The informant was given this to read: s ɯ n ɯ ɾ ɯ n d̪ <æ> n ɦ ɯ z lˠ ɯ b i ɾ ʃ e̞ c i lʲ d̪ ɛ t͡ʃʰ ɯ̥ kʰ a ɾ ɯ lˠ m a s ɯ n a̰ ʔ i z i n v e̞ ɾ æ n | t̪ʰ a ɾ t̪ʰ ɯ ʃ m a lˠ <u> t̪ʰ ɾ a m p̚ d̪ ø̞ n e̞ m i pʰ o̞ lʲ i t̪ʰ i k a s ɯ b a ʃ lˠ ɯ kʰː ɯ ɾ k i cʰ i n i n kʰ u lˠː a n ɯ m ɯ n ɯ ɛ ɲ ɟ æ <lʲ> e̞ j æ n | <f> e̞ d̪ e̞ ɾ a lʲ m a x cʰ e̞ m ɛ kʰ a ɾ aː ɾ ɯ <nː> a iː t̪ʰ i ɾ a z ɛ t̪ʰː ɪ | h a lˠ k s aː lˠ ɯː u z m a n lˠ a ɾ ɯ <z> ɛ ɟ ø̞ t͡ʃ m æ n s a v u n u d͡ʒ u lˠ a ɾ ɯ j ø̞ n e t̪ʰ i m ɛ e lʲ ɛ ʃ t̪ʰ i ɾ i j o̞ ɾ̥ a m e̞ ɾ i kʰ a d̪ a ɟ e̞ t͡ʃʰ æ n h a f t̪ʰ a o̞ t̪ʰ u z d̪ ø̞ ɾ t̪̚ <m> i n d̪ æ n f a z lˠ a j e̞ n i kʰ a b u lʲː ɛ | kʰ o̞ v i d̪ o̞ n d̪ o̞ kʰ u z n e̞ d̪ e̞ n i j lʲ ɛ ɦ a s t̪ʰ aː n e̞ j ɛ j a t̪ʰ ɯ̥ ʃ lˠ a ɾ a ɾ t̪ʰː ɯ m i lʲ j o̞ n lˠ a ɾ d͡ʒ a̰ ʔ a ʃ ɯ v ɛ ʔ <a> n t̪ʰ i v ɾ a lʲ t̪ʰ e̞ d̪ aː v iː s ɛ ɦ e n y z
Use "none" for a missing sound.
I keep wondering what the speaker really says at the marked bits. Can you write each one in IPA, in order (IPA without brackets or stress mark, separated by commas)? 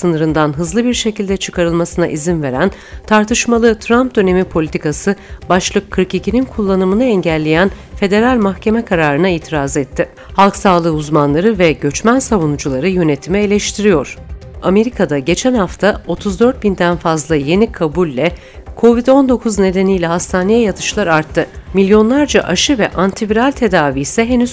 a, ɯ, lʲː, f, n, v, b, a